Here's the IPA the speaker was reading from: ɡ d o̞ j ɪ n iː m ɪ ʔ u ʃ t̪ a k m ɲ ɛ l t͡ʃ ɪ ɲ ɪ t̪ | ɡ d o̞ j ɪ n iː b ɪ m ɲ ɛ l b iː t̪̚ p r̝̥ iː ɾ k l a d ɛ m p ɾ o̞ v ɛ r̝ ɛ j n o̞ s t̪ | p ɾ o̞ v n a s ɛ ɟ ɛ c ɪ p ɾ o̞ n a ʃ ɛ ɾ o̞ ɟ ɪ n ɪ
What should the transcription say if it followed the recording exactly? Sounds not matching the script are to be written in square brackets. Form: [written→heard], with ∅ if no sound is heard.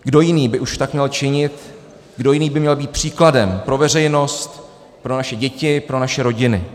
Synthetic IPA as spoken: ɡ d o̞ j ɪ n iː [m→b] ɪ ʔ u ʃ t̪ a k m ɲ ɛ l t͡ʃ ɪ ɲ ɪ t̪ | ɡ d o̞ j ɪ n iː b ɪ m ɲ ɛ l b iː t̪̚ p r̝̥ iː [ɾ→∅] k l a d ɛ m p ɾ o̞ v ɛ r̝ ɛ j n o̞ s t̪ | p ɾ o̞ [v→∅] n a [s→ʃ] ɛ ɟ ɛ c ɪ p ɾ o̞ n a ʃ ɛ ɾ o̞ ɟ ɪ n ɪ